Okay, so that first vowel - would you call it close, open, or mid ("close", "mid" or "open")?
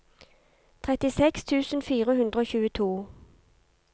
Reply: mid